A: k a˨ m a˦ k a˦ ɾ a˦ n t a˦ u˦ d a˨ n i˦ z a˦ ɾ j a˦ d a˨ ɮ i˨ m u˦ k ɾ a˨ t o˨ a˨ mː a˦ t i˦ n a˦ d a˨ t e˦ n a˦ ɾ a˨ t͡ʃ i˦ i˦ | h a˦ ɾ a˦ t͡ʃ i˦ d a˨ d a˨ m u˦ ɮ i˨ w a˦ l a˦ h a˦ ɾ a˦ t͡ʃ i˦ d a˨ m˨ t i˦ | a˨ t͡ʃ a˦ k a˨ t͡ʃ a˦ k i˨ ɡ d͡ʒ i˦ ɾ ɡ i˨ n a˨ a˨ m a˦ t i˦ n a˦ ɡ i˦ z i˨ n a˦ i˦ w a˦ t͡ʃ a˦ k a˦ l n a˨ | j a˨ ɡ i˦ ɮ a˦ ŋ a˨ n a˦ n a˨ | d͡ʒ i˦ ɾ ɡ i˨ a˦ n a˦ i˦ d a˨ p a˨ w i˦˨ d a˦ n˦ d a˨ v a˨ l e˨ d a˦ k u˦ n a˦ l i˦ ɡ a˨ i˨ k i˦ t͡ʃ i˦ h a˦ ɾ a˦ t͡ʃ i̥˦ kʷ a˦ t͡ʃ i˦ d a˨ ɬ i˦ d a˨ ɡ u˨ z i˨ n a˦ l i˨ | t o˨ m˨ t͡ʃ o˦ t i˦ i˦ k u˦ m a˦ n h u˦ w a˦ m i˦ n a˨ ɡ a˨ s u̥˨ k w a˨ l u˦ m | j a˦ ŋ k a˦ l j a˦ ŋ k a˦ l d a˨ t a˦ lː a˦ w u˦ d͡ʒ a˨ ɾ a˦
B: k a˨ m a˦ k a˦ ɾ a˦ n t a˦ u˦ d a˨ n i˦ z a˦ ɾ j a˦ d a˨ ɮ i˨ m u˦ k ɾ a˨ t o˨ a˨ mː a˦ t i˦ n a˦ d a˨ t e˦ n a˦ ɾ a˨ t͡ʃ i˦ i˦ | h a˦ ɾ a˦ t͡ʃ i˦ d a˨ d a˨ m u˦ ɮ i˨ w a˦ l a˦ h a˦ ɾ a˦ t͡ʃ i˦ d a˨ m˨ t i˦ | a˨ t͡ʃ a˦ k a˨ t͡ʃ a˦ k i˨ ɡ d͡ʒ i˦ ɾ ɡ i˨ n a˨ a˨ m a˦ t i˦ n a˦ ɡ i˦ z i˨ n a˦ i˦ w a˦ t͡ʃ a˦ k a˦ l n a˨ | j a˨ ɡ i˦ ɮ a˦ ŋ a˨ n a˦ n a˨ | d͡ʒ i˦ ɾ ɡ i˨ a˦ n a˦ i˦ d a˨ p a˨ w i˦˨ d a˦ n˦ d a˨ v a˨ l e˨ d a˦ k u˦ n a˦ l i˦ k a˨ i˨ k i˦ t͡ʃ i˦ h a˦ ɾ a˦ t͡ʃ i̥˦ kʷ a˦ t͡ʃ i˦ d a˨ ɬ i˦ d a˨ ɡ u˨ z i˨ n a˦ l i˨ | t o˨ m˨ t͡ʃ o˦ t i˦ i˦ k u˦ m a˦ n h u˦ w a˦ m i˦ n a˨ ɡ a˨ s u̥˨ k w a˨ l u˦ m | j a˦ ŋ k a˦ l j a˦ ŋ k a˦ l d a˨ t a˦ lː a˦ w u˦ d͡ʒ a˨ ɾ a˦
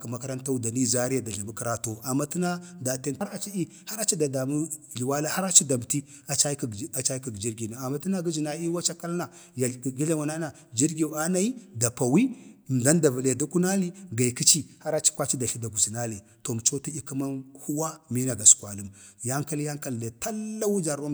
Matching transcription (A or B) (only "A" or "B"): A